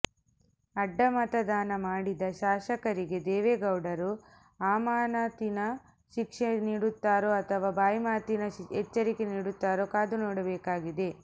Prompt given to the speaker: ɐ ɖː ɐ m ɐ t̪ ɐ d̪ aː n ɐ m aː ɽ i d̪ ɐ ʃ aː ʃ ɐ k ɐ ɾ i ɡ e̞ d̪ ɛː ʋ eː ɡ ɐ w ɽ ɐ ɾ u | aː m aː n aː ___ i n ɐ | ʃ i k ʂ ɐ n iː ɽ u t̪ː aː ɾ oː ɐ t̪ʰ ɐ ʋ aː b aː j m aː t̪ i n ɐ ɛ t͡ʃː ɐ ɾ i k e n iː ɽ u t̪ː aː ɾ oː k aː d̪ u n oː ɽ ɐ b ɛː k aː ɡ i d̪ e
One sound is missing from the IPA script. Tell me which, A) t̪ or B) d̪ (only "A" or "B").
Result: A